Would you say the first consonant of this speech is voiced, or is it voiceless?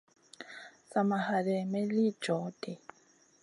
voiceless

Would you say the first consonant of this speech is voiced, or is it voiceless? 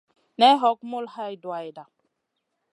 voiced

